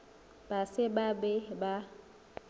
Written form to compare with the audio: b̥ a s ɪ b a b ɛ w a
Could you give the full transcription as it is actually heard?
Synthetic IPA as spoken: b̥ a s ɪ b a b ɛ b a